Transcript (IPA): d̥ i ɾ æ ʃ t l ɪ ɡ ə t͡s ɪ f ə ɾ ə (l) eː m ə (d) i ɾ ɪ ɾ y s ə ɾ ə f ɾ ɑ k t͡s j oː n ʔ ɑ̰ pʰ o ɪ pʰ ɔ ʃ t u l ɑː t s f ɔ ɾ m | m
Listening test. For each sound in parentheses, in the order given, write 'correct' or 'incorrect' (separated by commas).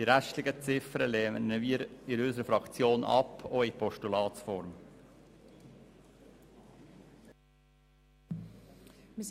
correct, incorrect